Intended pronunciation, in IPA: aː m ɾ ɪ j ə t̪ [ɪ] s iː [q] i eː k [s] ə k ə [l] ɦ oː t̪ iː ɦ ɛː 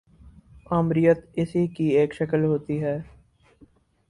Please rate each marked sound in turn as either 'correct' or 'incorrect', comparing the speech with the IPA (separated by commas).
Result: correct, incorrect, incorrect, correct